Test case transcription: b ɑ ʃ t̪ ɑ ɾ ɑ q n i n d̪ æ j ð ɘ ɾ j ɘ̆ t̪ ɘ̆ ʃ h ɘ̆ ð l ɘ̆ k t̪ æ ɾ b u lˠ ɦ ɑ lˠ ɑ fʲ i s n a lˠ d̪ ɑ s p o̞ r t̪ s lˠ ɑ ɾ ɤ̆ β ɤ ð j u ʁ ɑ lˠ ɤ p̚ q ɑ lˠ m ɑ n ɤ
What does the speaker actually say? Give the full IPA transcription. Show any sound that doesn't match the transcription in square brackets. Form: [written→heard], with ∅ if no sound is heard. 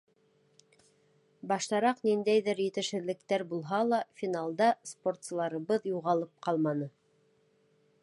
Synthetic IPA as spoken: b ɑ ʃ t̪ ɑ ɾ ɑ q n i n d̪ æ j ð ɘ ɾ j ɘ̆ t̪ ɘ̆ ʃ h ɘ̆ ð l ɘ̆ k t̪ æ ɾ b u lˠ ɦ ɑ lˠ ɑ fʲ i [s→∅] n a lˠ d̪ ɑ s p o̞ r t̪ s lˠ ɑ ɾ ɤ̆ β ɤ ð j u ʁ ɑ lˠ ɤ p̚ q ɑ lˠ m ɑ n ɤ

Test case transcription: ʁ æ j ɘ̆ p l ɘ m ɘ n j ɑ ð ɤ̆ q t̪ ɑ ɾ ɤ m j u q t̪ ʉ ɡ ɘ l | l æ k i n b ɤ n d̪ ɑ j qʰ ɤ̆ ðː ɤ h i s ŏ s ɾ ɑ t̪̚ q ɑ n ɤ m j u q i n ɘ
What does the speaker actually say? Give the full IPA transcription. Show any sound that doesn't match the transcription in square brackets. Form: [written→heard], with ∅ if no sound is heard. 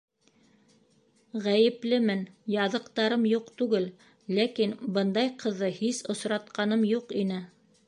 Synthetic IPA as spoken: ʁ æ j ɘ̆ p l ɘ m ɘ n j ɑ ð ɤ̆ q t̪ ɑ ɾ ɤ m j u q t̪ ʉ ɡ ɘ l | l æ k i n b ɤ n d̪ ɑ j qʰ ɤ̆ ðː ɤ h i s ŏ s ɾ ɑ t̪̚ q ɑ n ɤ m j u q i n ɘ

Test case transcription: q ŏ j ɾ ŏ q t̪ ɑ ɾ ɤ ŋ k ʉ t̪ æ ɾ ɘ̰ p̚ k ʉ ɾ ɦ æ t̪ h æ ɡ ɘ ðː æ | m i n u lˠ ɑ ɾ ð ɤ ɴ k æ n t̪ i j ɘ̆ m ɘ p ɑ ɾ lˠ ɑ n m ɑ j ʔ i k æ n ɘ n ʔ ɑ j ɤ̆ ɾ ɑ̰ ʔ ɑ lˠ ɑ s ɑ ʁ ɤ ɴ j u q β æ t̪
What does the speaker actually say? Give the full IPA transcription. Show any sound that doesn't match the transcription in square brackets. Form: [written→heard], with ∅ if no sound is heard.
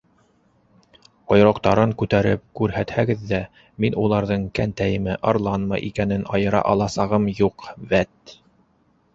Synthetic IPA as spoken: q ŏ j ɾ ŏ q t̪ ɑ ɾ ɤ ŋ k ʉ t̪ æ ɾ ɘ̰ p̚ k ʉ ɾ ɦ æ t̪ h æ ɡ ɘ ðː æ | m i n u lˠ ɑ ɾ ð ɤ ɴ k æ n t̪ [i→æ] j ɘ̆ m ɘ [p→ʔ] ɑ ɾ lˠ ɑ n m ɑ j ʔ i k æ n ɘ n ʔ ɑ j ɤ̆ ɾ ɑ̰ ʔ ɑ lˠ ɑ s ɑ ʁ ɤ [ɴ→m] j u q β æ t̪

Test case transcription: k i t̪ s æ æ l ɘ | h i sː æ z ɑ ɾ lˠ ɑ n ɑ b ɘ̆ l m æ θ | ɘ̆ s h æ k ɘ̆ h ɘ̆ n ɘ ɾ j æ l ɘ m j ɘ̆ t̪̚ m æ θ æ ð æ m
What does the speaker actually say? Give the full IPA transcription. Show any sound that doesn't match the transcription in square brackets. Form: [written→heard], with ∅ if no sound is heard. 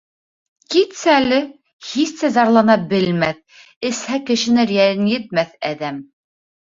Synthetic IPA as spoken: k i t̪ s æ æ l ɘ | h i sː æ z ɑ ɾ lˠ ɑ n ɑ b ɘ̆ l m æ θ | ɘ̆ s h æ k ɘ̆ [h→ʃ] ɘ̆ n ɘ ɾ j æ l ɘ [m→n] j ɘ̆ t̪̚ m æ θ æ ð æ m

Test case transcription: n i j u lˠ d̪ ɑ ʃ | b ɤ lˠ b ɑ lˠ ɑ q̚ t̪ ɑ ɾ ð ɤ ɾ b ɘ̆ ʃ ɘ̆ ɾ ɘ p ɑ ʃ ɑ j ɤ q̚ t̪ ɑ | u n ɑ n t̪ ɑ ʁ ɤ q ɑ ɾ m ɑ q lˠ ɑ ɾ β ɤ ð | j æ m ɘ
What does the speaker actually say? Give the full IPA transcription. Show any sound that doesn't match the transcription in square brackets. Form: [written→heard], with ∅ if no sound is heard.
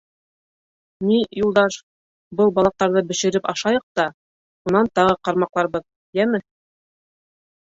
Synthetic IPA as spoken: n i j u lˠ d̪ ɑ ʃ | b ɤ lˠ b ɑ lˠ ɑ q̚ t̪ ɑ ɾ ð ɤ [ɾ→∅] b ɘ̆ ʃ ɘ̆ ɾ ɘ p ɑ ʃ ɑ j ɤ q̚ t̪ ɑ | u n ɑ n t̪ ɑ ʁ ɤ q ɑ ɾ m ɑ q lˠ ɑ ɾ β ɤ ð | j æ m ɘ

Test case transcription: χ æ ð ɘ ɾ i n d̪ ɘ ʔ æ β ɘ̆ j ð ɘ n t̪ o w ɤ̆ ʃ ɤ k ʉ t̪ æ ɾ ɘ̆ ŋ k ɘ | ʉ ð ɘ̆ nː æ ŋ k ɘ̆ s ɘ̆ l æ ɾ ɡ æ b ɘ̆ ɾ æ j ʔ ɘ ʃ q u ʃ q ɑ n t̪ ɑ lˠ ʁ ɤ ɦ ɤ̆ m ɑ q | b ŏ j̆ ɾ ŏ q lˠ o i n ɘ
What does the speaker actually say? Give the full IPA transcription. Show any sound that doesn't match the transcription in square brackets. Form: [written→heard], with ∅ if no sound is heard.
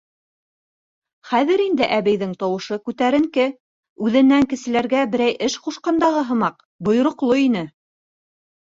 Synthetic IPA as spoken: χ æ ð ɘ ɾ i n d̪ ɘ ʔ æ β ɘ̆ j ð ɘ [n→ŋ] t̪ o w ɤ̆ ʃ ɤ k ʉ t̪ æ ɾ ɘ̆ ŋ k ɘ | ʉ ð ɘ̆ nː æ ŋ k ɘ̆ s ɘ̆ l æ ɾ ɡ æ b ɘ̆ ɾ æ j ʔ ɘ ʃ q u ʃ q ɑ n [t̪→d̪] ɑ [lˠ→∅] ʁ ɤ ɦ ɤ̆ m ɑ q | b ŏ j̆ ɾ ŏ q lˠ o i n ɘ

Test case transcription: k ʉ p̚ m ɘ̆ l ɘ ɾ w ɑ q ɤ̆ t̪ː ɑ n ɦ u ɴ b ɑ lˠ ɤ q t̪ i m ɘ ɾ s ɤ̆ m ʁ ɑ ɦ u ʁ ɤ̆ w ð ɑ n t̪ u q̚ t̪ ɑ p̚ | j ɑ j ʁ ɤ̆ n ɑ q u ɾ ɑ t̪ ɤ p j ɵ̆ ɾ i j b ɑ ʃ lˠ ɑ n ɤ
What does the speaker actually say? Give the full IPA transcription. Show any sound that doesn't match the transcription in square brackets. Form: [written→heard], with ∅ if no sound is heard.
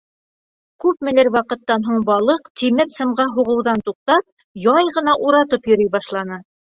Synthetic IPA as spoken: k ʉ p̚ m ɘ̆ l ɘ ɾ w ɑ q ɤ̆ t̪ː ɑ n ɦ u ɴ b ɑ lˠ ɤ q t̪ i m ɘ ɾ s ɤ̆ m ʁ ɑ ɦ u ʁ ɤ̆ w ð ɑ n t̪ u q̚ t̪ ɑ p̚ | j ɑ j ʁ ɤ̆ n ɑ [q→ʔ] u ɾ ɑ t̪ ɤ p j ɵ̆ ɾ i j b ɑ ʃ lˠ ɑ n ɤ

